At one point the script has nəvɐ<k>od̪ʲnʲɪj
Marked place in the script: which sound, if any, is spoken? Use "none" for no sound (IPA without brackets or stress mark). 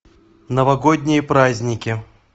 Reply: ɡ